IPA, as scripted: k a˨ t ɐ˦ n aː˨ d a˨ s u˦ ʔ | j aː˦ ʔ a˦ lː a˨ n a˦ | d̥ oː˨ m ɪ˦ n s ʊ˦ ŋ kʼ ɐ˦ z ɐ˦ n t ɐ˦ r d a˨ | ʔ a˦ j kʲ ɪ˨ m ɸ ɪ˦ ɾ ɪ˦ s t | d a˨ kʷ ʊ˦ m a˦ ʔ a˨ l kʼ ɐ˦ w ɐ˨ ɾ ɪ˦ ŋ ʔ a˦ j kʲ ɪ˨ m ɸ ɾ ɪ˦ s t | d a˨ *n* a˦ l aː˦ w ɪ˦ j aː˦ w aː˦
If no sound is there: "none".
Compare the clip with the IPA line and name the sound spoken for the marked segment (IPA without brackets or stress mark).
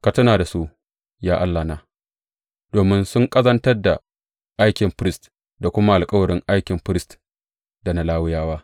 n